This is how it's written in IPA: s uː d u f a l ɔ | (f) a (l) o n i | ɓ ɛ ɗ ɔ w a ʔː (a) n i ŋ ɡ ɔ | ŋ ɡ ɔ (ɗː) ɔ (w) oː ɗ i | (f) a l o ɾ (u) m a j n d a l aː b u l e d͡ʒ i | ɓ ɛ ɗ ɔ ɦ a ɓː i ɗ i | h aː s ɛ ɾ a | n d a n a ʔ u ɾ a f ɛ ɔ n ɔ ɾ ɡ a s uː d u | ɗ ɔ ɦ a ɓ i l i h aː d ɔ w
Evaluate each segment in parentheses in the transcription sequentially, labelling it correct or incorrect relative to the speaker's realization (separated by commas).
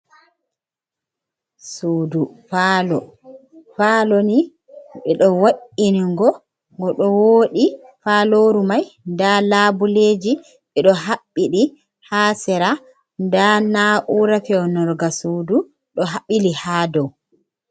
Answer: correct, correct, incorrect, incorrect, correct, correct, correct